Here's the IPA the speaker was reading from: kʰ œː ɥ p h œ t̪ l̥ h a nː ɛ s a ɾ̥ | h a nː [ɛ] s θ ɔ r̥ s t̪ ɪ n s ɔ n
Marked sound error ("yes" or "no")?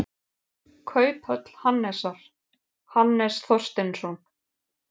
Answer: no